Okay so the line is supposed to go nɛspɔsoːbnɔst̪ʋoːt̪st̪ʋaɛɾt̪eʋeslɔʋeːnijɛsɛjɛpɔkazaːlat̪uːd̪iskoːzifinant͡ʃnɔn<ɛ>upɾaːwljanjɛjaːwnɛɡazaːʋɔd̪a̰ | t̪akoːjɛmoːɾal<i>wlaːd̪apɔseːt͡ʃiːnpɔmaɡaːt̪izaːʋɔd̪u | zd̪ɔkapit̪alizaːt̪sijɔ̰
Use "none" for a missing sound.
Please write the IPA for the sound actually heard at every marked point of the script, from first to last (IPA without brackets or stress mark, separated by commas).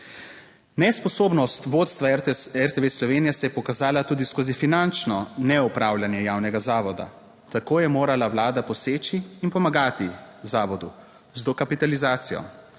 ɛ, a